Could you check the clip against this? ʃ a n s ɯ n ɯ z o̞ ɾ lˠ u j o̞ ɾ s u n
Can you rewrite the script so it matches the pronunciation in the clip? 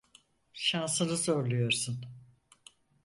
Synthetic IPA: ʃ a n s ɯ n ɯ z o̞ ɾ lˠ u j o̞ ɾ s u n